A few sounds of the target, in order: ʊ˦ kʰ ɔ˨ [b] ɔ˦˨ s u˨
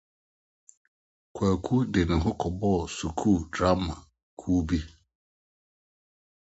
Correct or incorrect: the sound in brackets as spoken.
correct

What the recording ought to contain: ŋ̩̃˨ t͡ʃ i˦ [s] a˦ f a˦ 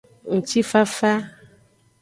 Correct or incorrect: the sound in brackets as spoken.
incorrect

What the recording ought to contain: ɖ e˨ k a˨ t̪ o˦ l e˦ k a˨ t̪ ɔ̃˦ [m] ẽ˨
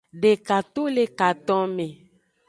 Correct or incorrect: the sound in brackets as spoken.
correct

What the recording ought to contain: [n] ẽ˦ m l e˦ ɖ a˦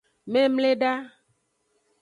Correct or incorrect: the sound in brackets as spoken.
incorrect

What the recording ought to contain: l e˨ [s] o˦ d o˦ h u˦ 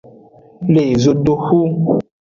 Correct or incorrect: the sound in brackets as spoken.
incorrect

